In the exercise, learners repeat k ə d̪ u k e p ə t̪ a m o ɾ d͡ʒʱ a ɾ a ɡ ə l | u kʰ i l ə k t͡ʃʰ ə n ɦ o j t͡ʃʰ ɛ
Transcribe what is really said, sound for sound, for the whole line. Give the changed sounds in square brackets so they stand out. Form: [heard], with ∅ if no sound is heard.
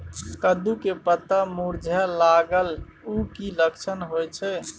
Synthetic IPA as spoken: k ə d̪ u k e p ə t̪ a m [u] ɾ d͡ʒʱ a [l] a ɡ ə l | u [k] i l ə k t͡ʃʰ ə n ɦ o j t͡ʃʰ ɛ

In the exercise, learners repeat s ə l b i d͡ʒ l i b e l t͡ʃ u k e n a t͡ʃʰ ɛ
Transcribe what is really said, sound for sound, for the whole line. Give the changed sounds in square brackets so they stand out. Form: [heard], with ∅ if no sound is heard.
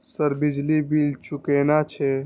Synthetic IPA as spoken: s ə [ɾ] b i d͡ʒ l i b [i] l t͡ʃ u k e n a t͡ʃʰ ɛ

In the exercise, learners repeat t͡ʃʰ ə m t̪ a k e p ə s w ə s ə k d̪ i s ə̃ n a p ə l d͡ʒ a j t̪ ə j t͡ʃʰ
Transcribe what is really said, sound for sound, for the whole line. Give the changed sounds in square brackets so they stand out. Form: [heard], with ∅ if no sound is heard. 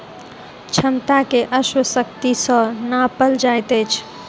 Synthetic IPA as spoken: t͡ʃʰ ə m t̪ a k e [ʔ] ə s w ə s ə k [t̪] i s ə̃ n a p ə l d͡ʒ a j t̪ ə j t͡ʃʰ

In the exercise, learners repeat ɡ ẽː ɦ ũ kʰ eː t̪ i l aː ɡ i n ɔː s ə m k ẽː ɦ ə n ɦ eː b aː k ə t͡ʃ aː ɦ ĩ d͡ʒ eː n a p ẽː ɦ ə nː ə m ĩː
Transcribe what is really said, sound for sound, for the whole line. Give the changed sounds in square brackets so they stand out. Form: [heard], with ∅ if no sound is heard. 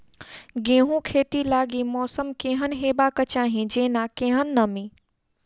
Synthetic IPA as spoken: ɡ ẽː ɦ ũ kʰ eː t̪ i l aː ɡ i [m] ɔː s ə m k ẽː ɦ ə n ɦ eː b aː k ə t͡ʃ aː ɦ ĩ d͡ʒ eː n a [k] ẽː ɦ ə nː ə m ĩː

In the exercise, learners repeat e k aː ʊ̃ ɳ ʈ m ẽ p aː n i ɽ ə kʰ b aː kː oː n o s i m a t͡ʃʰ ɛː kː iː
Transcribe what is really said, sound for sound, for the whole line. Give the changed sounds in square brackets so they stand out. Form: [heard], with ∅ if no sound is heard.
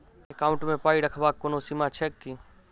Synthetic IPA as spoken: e k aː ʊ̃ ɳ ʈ m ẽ p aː [∅] i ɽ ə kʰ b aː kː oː n o s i m a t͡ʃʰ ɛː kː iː

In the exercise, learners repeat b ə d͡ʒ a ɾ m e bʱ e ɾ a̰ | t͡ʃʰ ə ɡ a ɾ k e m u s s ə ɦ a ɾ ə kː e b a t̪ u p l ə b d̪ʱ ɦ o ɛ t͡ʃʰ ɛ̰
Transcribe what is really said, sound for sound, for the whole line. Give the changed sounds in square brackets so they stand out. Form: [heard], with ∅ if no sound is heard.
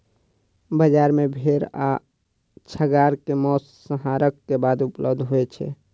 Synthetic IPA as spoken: b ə d͡ʒ a ɾ m e bʱ e ɾ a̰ | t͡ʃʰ ə ɡ a ɾ k e m [ɔ] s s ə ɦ a ɾ ə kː e b a [d̪] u p l ə b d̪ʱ ɦ o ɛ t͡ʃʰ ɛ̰

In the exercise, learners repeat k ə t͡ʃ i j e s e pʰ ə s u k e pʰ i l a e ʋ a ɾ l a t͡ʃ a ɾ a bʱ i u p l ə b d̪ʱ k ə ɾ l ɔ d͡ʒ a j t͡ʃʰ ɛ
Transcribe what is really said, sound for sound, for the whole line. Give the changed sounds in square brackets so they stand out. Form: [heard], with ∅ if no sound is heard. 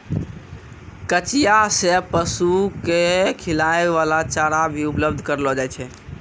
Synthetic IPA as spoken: k ə t͡ʃ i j [a] s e [p] ə s u k e [kʰ] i l a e ʋ a [∅] l a t͡ʃ a ɾ a bʱ i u p l ə b d̪ʱ k ə ɾ l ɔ d͡ʒ a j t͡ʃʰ ɛ

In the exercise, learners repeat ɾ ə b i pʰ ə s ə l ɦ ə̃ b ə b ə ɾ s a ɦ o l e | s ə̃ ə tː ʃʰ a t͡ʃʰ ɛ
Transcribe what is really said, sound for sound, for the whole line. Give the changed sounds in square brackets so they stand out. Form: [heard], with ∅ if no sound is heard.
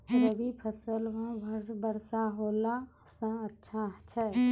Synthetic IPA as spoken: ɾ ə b i pʰ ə s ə l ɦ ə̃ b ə b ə ɾ s a ɦ o l [a] | s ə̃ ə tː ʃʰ a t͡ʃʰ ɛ

